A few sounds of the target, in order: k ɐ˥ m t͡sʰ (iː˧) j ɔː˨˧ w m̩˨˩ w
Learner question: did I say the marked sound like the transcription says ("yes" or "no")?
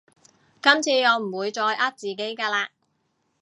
yes